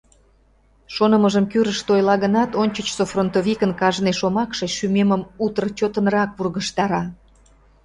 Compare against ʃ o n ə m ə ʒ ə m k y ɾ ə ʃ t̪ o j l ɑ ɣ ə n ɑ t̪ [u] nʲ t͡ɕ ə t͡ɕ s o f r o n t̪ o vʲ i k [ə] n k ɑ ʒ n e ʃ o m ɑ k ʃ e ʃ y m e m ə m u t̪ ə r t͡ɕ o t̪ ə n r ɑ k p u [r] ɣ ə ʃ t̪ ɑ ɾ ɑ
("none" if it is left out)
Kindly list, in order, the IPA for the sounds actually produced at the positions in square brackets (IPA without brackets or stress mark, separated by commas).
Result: o, ə, r